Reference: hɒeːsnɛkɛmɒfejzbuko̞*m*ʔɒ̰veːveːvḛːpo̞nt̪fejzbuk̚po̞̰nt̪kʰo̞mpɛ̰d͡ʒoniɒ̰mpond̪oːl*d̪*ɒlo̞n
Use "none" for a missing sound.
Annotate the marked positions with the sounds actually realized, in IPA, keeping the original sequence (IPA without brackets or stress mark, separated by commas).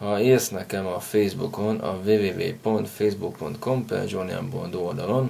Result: n, d̪